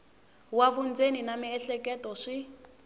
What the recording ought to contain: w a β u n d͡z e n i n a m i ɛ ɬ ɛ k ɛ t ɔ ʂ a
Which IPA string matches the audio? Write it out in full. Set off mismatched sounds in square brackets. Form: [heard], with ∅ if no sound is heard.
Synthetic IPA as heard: w a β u n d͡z e n i n a m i ɛ ɬ ɛ k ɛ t ɔ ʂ [i]